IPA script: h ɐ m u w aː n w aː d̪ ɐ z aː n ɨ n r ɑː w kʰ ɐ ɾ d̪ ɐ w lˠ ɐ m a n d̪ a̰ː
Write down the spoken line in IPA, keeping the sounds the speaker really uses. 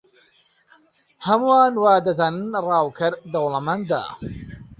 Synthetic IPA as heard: h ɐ m u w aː n w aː d̪ ɐ z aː n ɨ n r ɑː w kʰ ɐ ɾ d̪ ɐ w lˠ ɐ m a n d̪ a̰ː